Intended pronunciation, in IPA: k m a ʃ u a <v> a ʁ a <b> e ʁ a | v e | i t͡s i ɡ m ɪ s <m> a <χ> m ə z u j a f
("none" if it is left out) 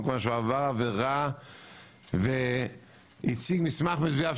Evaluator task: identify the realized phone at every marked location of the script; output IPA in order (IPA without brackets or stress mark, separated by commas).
v, v, m, χ